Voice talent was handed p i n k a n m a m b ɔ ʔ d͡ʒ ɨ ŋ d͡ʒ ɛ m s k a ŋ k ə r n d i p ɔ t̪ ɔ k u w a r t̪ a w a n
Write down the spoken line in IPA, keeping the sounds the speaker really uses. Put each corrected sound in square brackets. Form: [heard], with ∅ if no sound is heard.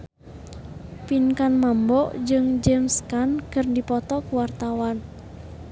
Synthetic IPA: p i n k a n m a m b ɔ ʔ d͡ʒ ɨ ŋ d͡ʒ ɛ m s k a [n] k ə r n d i p ɔ t̪ ɔ k u w a r t̪ a w a n